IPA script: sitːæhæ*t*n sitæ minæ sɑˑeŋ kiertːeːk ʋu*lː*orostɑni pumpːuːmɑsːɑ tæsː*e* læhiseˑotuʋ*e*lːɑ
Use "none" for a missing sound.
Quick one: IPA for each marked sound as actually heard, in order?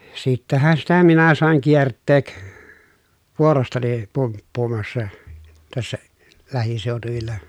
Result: none, none, æ, i

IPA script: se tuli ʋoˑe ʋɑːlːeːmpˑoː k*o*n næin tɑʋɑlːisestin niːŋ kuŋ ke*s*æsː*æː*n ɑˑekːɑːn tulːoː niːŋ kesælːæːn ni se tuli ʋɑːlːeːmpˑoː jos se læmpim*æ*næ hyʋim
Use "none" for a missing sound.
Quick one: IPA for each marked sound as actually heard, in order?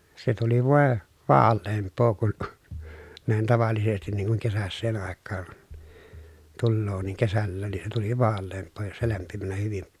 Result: u, s, eː, æ

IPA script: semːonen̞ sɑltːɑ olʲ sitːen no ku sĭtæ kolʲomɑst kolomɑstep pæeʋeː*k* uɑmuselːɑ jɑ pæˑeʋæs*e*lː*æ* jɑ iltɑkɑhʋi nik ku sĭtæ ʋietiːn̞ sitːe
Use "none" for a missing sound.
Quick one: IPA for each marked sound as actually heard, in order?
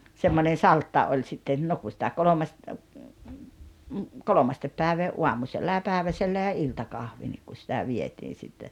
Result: none, e, æ

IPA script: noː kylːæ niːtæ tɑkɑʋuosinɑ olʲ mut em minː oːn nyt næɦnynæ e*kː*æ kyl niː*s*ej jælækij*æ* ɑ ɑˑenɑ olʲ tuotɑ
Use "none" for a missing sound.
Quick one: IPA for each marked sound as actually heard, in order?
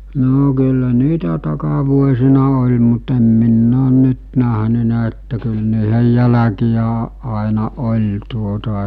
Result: tː, h, æ

